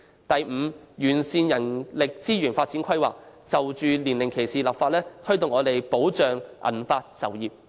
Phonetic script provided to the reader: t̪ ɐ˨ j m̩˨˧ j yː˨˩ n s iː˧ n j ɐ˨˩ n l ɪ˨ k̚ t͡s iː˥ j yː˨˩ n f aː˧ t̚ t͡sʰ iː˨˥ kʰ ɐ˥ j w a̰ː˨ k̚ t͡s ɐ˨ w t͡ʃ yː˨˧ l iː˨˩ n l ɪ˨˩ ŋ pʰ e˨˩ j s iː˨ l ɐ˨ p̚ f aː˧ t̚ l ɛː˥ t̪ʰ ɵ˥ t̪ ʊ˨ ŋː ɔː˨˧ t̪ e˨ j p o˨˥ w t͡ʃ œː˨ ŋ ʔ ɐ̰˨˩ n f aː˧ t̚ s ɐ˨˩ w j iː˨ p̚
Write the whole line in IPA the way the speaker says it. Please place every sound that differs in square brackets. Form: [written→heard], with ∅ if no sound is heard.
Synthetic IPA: t̪ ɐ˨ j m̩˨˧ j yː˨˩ n s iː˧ n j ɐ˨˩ n l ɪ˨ k̚ t͡s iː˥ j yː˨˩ n f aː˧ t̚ [t͡sʰ→t͡s] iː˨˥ kʰ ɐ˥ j w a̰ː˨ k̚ t͡s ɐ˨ w t͡ʃ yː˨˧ l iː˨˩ n l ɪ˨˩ ŋ [pʰ→kʰ] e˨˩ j s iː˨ l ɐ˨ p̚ f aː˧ t̚ l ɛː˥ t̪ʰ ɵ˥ t̪ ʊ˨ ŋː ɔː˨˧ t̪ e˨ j p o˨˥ w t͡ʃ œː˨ ŋ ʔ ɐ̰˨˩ n f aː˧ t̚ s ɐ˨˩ w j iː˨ p̚

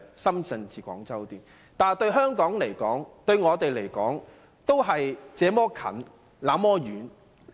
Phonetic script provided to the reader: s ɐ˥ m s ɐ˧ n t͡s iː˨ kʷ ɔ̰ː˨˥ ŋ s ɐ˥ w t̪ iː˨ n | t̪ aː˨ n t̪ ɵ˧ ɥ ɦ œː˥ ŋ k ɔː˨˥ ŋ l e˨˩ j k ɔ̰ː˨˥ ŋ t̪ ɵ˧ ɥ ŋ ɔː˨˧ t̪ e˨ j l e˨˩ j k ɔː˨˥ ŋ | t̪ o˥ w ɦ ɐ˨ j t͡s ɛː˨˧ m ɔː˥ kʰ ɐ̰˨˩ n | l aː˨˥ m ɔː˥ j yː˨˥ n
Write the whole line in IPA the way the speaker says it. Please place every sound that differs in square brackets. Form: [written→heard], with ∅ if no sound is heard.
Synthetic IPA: s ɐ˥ m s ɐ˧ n t͡s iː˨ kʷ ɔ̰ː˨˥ ŋ [s→t͡s] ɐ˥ w t̪ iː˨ n | t̪ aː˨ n t̪ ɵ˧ ɥ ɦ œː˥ ŋ k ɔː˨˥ ŋ l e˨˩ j k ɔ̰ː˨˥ ŋ t̪ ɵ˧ ɥ ŋ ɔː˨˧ t̪ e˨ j l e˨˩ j k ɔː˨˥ ŋ | t̪ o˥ w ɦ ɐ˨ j t͡s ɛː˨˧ m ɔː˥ kʰ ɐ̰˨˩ n | l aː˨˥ m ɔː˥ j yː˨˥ n

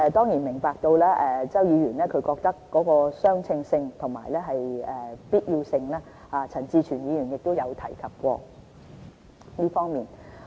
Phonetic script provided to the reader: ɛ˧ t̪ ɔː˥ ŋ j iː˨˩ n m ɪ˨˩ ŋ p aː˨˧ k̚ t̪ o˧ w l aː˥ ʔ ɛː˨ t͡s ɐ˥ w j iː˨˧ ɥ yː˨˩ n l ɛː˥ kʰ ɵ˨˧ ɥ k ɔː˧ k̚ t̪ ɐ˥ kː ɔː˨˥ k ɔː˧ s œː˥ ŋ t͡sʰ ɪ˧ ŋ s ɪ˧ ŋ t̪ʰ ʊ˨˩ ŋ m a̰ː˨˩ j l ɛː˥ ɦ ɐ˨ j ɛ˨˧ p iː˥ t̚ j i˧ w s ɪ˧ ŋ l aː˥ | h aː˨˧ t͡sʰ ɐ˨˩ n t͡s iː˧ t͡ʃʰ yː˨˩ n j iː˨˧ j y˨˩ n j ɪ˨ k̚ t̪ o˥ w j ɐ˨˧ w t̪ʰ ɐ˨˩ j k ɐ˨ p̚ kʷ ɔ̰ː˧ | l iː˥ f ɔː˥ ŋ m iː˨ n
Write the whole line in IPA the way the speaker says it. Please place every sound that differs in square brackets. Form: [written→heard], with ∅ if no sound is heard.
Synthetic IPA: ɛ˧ t̪ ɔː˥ ŋ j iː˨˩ n m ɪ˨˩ ŋ p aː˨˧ k̚ t̪ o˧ w l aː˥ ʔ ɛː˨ t͡s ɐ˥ w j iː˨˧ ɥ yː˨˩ n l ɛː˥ kʰ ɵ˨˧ ɥ k ɔː˧ k̚ t̪ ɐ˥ kː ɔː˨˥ k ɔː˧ s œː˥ ŋ t͡sʰ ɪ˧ ŋ s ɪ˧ ŋ t̪ʰ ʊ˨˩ ŋ m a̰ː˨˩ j l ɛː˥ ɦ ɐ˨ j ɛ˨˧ p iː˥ t̚ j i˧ w s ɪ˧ ŋ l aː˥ | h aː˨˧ t͡sʰ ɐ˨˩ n t͡s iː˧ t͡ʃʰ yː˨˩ n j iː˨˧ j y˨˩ n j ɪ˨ k̚ t̪ o˥ w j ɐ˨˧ w t̪ʰ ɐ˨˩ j [k→kʰ] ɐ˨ p̚ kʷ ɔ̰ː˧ | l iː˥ f ɔː˥ ŋ m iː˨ n

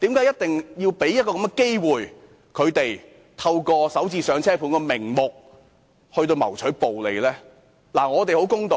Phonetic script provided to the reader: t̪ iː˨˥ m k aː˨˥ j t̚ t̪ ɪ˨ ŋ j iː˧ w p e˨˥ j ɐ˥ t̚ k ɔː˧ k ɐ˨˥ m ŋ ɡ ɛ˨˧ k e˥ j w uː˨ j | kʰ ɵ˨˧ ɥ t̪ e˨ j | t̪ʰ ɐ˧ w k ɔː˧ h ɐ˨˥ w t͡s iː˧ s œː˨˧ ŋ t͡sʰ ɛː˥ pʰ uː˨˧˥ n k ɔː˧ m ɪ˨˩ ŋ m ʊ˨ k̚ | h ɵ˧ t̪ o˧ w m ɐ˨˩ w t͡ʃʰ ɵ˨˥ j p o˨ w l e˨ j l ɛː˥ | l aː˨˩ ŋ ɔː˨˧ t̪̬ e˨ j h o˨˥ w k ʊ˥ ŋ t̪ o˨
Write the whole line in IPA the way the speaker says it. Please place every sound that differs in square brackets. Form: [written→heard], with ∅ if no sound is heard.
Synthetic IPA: t̪ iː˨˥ m k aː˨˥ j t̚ t̪ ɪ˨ ŋ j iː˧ w p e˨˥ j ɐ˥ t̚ k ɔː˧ k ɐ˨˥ m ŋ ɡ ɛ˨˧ k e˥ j w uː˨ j | kʰ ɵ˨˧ ɥ t̪ e˨ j | t̪ʰ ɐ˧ w k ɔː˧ [h→s] ɐ˨˥ w t͡s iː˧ s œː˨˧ ŋ t͡sʰ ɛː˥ pʰ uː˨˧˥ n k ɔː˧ m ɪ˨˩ ŋ m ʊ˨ k̚ | h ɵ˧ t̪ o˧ w m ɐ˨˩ w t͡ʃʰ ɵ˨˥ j p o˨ w l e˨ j l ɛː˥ | l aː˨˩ ŋ ɔː˨˧ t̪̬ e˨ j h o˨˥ w k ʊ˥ ŋ t̪ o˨

